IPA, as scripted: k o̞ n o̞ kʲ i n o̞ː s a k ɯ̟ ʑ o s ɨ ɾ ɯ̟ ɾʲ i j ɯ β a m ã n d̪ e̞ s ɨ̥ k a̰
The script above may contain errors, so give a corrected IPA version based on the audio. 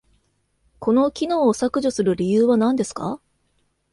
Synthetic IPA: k o̞ n o̞ kʲ i n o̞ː s a k ɯ̟ ʑ o s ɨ ɾ ɯ̟ ɾʲ i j ɯː β a n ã n d̪ e̞ s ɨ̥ k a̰